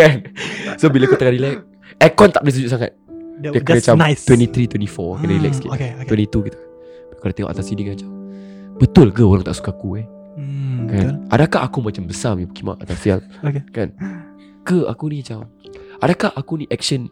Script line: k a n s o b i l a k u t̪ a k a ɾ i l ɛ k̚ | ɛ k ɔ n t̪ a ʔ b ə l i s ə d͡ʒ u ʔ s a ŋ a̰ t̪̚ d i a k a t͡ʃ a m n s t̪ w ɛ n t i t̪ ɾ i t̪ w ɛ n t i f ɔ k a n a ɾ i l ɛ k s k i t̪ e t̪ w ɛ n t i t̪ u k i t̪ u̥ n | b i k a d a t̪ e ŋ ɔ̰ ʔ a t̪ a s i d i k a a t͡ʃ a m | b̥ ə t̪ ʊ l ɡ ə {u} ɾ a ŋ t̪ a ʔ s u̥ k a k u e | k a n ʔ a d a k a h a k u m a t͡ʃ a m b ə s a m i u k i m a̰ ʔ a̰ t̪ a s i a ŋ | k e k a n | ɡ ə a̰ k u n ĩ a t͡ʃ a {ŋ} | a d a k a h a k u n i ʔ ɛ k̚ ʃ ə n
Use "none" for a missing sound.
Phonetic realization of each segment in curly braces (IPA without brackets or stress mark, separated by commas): o, m